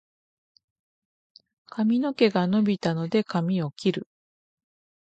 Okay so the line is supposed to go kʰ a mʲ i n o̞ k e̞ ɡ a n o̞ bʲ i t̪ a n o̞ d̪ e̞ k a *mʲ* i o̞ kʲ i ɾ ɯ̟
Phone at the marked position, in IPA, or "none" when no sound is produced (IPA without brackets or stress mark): mʲ